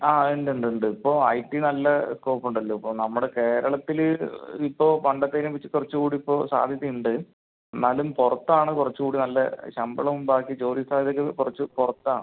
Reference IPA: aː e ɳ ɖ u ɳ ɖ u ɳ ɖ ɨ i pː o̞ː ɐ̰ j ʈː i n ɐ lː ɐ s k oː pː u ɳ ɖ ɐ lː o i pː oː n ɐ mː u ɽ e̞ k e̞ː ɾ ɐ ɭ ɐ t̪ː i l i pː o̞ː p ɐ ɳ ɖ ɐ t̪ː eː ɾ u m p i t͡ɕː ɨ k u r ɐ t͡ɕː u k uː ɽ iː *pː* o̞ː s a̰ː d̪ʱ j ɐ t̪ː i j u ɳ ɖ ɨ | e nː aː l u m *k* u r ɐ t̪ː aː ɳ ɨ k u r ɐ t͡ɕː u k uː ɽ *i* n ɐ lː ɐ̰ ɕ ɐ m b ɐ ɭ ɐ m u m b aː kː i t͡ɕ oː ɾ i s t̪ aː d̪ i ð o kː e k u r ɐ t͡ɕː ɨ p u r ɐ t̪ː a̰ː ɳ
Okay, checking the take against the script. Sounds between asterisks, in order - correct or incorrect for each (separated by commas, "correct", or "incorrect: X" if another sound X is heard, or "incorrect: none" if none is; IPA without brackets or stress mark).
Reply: correct, incorrect: p, correct